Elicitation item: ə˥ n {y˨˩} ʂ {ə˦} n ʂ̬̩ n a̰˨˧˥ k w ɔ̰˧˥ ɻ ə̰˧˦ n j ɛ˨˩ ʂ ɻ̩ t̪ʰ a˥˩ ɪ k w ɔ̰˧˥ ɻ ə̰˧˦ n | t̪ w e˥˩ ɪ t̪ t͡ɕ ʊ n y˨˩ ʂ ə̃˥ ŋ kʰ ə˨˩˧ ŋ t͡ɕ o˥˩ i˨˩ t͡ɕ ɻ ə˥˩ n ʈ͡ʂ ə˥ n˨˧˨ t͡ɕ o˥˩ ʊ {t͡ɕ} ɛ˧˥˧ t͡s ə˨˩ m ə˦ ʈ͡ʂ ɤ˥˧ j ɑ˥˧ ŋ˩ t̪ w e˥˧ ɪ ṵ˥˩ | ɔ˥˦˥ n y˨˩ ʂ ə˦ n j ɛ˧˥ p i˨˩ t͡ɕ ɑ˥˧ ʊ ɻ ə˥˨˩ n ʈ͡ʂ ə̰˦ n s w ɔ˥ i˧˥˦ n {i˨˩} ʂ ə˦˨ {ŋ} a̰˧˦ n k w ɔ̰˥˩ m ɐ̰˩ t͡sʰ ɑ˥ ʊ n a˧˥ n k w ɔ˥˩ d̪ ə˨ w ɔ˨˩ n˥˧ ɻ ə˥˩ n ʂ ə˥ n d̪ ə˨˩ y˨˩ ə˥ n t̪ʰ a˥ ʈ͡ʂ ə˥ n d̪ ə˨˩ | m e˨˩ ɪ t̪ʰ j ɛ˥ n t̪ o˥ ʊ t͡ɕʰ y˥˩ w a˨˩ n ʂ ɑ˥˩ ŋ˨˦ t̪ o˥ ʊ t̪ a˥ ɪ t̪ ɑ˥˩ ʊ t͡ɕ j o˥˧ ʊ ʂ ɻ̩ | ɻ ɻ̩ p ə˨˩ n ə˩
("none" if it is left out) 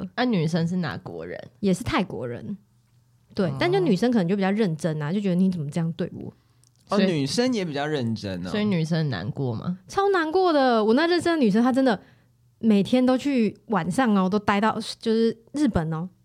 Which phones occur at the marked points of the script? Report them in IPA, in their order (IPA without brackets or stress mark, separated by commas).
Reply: y˨˩, ə˦, t͡ɕ, y˨˩, n